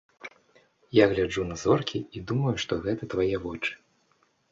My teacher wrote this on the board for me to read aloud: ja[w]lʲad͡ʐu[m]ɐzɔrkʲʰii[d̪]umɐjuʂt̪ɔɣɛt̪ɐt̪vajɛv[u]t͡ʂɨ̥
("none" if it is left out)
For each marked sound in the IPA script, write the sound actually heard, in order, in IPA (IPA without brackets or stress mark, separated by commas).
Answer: ɣ, n, d̪, ɔ